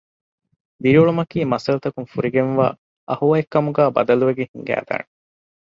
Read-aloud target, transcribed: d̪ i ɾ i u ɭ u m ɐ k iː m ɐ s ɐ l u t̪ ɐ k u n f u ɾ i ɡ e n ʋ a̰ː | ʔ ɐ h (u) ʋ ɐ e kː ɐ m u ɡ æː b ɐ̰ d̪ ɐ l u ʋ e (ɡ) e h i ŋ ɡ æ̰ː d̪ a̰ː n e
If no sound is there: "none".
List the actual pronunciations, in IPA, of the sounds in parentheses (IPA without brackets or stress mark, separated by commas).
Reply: u, ɡ